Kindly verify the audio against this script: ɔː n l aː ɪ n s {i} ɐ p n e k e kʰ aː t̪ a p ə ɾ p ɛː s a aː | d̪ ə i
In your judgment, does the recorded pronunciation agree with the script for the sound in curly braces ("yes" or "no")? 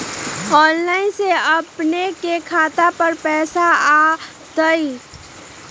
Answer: no